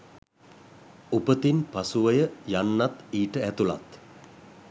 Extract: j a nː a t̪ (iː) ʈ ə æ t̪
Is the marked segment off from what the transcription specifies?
no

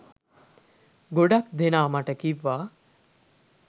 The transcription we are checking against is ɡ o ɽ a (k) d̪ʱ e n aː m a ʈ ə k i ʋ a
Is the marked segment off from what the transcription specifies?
no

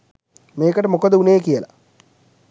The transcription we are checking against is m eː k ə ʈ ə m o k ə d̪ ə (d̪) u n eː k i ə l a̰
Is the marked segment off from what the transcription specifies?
yes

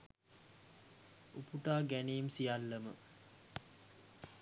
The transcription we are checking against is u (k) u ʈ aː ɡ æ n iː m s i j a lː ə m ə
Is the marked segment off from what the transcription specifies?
yes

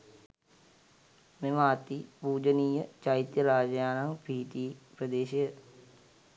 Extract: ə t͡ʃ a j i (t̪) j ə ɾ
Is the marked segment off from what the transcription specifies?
no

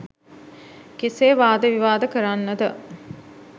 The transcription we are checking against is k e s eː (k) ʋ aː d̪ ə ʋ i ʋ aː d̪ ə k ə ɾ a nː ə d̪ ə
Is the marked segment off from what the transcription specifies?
yes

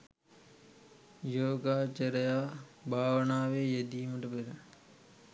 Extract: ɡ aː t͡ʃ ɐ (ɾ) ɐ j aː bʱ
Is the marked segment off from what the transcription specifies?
no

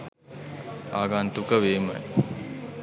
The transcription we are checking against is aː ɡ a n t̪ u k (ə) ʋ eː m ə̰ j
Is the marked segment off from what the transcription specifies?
no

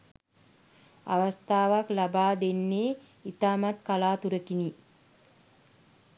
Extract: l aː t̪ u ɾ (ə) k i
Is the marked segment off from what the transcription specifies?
no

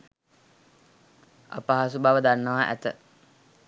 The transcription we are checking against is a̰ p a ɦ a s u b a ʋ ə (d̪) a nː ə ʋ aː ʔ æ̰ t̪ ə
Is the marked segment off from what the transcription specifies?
no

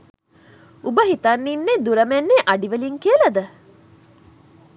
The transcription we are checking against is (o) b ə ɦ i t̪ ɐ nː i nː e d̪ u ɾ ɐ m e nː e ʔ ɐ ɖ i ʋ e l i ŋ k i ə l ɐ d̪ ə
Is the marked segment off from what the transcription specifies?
yes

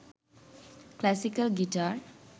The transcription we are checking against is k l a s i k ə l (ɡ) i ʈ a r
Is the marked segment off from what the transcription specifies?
no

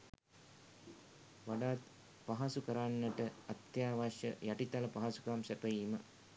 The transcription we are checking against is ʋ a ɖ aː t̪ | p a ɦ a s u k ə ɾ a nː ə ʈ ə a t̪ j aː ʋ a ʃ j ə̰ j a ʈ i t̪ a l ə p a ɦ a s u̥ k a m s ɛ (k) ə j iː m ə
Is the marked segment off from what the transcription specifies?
yes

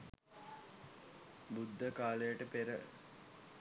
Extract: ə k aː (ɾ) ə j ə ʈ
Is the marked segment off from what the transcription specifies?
yes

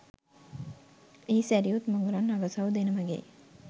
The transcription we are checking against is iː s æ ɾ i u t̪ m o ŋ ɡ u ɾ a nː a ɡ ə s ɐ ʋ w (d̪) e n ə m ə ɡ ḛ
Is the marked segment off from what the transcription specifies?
no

